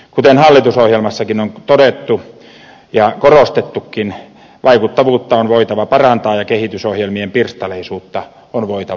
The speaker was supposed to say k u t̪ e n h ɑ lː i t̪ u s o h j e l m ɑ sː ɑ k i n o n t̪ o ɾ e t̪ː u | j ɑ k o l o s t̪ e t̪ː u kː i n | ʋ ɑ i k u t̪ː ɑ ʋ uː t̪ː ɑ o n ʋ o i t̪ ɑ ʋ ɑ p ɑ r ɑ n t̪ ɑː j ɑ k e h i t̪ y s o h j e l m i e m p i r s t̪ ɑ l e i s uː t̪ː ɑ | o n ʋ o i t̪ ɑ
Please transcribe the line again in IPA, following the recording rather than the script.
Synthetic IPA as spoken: k u t̪ e n h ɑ lː i t̪ u s o h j e l m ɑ sː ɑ k i n o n t̪ o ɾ e t̪ː u | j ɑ k o r o s t̪ e t̪ː u kː i n | ʋ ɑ i k u t̪ː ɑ ʋ uː t̪ː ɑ o n ʋ o i t̪ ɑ ʋ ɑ p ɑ r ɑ n t̪ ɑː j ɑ k e h i t̪ y s o h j e l m i e m p i r s t̪ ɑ l e i s uː t̪ː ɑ | o n ʋ o i t̪ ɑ